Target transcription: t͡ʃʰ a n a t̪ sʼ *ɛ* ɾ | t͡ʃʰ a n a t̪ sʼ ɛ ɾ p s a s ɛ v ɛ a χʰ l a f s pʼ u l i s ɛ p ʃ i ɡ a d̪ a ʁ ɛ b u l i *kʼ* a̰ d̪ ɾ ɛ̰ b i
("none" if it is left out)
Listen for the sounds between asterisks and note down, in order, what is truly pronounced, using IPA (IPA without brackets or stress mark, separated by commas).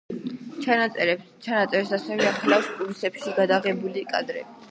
ɛ, kʼ